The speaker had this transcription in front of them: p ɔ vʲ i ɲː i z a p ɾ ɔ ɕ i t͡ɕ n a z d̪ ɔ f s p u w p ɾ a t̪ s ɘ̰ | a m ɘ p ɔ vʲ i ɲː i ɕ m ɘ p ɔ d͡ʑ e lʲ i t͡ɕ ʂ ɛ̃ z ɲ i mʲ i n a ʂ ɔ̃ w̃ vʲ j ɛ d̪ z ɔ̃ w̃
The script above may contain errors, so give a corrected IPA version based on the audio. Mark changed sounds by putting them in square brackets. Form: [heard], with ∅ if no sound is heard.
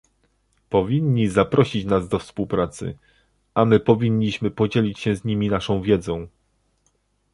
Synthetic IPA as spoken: p ɔ vʲ i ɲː i z a p ɾ ɔ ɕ i t͡ɕ n a z d̪ ɔ f s p u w p ɾ a t̪ s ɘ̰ | a m ɘ p ɔ vʲ i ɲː i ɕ m ɘ p ɔ d͡ʑ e lʲ i t͡ɕ [ɕ] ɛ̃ z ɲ i mʲ i n a ʂ ɔ̃ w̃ vʲ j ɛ d̪ z ɔ̃ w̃